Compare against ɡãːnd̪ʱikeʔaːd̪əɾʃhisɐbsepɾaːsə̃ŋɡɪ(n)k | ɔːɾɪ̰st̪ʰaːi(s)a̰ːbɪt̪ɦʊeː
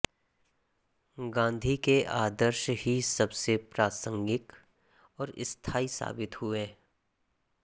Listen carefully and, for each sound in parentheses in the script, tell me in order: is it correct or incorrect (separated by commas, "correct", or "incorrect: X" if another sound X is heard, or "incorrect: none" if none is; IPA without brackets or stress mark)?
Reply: incorrect: none, correct